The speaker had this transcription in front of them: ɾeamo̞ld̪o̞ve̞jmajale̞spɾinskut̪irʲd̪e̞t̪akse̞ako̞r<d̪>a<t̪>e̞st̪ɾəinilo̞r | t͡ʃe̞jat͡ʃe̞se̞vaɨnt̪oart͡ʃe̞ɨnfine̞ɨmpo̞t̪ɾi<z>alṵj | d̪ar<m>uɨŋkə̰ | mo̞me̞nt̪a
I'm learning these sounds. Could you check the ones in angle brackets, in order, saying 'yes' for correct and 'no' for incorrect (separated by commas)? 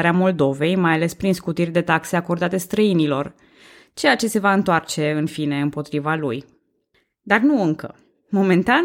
yes, yes, no, no